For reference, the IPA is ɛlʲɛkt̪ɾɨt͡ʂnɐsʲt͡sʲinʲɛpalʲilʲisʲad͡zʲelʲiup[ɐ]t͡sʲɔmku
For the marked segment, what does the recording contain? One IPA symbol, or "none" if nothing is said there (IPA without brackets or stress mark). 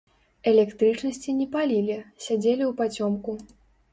a